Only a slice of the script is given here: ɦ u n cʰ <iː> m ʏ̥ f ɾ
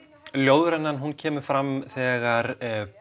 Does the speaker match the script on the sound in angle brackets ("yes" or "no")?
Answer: no